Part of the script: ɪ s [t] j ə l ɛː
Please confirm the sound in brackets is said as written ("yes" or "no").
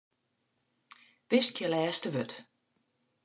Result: no